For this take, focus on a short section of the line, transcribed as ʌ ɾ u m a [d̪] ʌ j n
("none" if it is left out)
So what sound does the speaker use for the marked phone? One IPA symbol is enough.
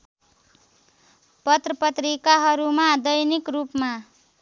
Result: d̪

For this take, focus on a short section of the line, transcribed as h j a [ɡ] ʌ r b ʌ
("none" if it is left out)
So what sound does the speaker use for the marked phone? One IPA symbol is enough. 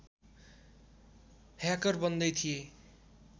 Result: k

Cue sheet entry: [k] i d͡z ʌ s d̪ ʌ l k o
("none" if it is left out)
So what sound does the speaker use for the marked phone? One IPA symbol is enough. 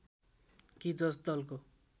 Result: k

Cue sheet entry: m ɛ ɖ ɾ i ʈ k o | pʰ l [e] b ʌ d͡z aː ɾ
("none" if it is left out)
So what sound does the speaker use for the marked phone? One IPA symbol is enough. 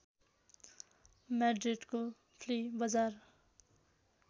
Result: i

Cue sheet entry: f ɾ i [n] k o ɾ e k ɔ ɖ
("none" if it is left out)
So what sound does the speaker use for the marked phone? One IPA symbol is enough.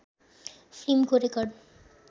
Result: m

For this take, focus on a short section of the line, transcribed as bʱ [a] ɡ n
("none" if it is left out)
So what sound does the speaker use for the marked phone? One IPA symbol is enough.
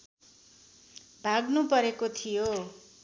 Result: a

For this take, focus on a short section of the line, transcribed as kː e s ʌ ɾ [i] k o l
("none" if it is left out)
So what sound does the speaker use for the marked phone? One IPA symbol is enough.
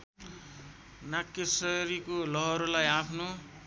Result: i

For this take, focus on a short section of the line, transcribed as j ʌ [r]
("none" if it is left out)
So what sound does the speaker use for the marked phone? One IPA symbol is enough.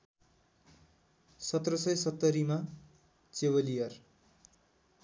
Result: r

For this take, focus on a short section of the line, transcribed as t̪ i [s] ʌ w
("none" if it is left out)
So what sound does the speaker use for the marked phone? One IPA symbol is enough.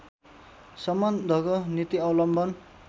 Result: none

